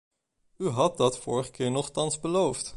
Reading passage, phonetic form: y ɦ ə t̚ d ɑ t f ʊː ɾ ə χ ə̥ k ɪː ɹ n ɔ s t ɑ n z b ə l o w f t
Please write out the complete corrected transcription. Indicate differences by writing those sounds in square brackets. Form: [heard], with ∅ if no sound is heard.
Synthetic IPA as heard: y ɦ [ɑ] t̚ d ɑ t f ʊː [ɹ] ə χ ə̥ k ɪː ɹ n ɔ [χ] t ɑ n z b ə l o w f t